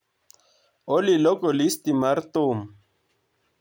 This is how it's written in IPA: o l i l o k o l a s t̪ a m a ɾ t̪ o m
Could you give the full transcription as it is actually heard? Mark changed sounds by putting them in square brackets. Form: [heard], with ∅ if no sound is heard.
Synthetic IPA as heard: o l i l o k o l [i] s t̪ [i] m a ɾ t̪ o m